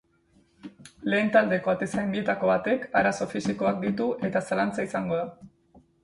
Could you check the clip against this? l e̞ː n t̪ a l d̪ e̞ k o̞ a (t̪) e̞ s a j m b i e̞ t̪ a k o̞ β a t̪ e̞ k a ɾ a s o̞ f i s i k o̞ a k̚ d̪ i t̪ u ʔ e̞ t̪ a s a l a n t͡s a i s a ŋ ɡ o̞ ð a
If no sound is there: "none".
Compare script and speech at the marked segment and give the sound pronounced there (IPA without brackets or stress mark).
t̪